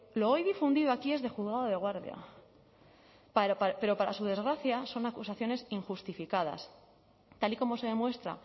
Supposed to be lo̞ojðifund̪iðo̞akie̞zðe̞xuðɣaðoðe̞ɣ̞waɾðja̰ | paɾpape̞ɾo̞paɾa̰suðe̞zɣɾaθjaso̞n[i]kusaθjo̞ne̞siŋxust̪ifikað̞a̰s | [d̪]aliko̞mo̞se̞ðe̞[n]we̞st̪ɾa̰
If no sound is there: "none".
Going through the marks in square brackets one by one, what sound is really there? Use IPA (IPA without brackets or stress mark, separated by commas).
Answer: a, t̪, m